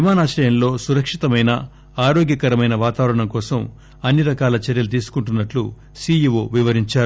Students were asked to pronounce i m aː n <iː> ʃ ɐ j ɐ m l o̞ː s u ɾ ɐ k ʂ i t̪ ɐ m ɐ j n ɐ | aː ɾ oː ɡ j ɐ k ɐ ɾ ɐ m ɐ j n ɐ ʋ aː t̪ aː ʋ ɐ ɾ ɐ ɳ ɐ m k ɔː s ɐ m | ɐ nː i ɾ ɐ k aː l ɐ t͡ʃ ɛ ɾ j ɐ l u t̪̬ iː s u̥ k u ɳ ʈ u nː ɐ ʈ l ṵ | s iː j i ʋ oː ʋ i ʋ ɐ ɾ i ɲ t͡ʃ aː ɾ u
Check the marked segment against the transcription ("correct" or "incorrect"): incorrect